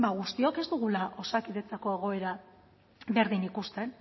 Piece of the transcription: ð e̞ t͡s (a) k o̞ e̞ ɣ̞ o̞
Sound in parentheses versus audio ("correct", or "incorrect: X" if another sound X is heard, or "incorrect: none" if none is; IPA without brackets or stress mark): correct